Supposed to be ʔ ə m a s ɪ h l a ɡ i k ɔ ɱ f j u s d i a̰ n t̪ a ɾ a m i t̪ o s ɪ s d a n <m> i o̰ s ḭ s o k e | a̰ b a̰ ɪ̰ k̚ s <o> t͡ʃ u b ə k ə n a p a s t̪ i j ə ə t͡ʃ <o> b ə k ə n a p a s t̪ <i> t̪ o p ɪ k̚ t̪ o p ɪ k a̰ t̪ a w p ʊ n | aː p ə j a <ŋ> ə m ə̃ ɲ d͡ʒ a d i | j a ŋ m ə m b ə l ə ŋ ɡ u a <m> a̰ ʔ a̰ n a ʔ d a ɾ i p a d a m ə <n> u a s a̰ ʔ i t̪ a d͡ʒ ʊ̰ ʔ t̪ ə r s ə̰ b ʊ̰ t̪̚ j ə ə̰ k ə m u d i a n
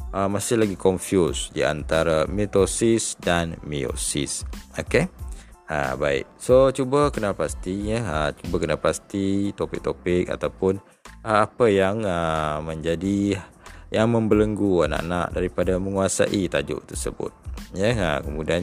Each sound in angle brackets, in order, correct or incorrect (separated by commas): correct, correct, incorrect, correct, correct, incorrect, incorrect